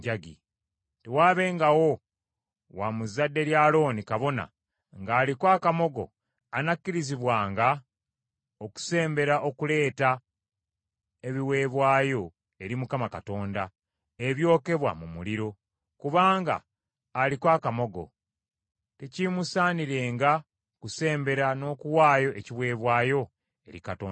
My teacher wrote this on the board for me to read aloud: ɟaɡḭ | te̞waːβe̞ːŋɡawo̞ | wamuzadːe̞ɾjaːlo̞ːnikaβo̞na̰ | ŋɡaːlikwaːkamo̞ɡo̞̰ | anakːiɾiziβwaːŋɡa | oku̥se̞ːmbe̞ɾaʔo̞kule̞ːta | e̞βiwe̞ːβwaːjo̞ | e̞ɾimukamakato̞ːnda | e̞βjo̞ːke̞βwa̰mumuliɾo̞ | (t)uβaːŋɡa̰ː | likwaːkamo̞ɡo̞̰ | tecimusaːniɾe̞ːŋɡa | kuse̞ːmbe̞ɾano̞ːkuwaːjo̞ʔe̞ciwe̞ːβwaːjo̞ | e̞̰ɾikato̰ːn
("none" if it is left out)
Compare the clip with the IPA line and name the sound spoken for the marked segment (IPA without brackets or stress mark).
k